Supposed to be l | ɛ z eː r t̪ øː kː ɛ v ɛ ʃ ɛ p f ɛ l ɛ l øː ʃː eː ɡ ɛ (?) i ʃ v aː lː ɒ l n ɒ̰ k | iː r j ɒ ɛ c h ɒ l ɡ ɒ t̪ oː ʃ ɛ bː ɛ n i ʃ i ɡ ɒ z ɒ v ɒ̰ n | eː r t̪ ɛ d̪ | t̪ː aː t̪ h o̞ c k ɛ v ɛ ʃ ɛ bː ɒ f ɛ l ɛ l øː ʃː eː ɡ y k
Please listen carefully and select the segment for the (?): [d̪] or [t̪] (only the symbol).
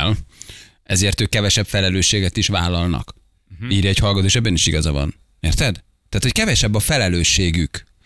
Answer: t̪